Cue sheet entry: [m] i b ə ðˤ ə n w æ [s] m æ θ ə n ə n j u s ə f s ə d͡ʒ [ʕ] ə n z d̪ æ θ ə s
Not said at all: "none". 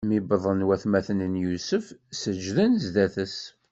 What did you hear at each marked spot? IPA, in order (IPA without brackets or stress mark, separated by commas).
m, θ, ð